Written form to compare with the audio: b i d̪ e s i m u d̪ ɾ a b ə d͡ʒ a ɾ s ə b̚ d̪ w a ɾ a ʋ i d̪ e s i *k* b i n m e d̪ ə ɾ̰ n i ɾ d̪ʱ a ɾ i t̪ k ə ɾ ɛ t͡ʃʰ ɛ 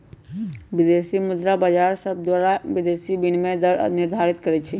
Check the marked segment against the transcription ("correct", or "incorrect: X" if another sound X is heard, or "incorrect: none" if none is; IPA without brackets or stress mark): incorrect: none